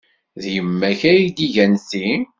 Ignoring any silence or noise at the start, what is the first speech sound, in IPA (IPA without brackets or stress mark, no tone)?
ð